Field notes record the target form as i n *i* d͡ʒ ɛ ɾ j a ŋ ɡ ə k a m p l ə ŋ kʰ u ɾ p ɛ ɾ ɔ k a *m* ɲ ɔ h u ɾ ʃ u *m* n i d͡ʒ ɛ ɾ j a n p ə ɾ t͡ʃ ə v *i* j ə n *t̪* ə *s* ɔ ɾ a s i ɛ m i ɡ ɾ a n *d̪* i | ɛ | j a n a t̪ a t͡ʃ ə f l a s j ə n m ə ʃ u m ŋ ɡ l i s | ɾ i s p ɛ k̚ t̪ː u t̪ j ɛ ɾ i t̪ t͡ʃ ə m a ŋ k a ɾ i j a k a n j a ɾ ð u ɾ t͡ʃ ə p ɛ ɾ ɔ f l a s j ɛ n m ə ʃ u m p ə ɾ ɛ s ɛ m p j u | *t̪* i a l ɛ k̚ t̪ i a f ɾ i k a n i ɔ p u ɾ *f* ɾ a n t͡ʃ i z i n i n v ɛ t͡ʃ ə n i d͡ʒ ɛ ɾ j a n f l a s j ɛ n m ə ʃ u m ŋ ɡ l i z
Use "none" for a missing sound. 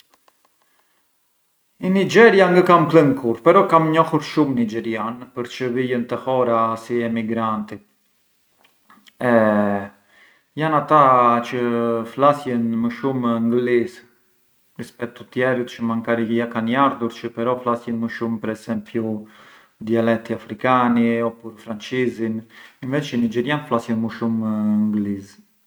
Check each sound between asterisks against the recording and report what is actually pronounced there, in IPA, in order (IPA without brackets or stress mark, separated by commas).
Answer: i, m, m, i, t̪, h, t̪, d̪, f